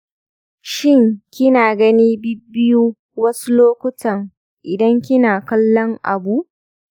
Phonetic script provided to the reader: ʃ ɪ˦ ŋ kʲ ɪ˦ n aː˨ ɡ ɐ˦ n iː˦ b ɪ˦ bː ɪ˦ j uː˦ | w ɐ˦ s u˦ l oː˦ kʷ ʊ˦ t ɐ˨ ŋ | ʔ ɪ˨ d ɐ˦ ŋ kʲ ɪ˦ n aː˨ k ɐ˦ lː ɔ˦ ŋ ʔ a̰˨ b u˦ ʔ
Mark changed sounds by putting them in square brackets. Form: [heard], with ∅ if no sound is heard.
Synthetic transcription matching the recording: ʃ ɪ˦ ŋ kʲ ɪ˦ n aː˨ ɡ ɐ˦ n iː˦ b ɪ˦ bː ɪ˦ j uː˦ | w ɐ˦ s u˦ l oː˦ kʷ ʊ˦ t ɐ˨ ŋ | ʔ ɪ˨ d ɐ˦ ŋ kʲ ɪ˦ n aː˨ k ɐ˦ lː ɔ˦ ŋ ʔ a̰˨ b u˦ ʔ